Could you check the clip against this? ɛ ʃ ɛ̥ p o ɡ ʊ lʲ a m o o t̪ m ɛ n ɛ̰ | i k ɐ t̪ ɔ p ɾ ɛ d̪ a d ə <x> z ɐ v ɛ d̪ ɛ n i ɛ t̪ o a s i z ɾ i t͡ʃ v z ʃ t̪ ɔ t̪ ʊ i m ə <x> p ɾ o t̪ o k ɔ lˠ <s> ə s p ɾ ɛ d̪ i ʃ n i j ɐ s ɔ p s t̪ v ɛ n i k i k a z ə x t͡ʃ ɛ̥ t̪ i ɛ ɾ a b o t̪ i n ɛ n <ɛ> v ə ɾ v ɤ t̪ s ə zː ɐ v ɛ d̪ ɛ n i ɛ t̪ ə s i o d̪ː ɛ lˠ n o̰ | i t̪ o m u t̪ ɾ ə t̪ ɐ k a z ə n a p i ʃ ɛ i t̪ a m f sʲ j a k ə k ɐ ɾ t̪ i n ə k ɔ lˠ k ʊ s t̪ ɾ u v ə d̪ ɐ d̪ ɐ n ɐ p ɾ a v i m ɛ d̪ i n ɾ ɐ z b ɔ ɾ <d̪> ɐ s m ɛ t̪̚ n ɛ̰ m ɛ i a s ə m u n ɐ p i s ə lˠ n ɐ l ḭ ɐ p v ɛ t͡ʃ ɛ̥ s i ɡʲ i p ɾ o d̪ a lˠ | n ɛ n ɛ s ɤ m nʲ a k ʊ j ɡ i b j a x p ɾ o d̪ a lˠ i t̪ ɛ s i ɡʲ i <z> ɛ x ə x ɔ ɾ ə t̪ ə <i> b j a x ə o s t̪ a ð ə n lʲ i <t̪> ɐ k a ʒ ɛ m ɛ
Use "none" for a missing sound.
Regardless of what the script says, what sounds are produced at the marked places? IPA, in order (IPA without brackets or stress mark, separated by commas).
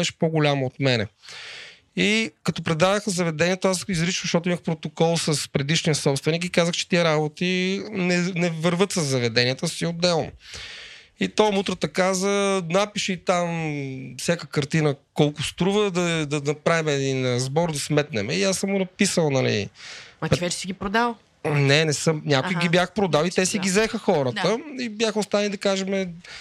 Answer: x, x, s, ɛ, d̪, z, i, d̪